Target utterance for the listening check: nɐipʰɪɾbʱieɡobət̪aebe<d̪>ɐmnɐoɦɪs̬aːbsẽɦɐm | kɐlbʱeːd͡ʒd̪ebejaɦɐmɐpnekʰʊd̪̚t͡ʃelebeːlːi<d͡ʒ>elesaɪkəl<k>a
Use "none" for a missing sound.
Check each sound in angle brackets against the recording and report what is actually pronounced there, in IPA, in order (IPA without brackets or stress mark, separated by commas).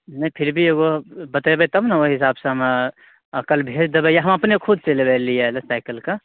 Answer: t̪, none, k